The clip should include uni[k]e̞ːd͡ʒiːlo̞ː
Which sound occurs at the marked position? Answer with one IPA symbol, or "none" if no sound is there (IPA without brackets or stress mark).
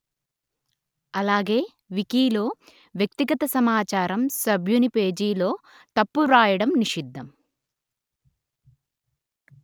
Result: p